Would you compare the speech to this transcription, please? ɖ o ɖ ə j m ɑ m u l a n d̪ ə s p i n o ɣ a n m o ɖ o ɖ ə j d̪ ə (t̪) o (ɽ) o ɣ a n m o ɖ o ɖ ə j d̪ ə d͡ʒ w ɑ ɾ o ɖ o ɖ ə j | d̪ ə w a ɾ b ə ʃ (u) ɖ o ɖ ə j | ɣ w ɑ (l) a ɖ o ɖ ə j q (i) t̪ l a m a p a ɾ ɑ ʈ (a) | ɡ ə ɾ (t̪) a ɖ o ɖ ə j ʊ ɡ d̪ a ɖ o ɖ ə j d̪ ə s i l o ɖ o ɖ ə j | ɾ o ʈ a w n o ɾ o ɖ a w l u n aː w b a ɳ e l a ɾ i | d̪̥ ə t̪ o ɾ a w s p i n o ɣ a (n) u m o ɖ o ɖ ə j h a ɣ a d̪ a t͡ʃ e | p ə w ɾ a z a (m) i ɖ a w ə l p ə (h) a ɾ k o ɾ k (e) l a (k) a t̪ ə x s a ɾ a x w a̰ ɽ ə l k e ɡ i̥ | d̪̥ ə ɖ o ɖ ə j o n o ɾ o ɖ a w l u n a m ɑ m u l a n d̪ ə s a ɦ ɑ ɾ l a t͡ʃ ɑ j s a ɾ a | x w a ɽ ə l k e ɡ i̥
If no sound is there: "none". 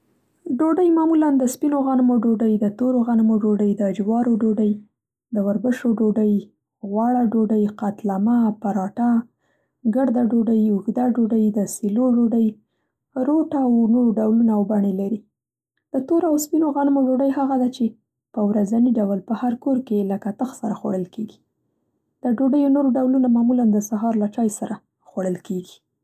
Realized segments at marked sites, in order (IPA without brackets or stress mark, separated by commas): t̪, ɾ, o, ɽ, a, a, d̪, n, n, h, e, k